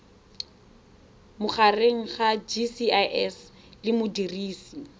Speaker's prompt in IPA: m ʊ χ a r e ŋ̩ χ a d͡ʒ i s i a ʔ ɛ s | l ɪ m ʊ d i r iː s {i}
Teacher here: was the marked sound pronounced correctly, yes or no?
yes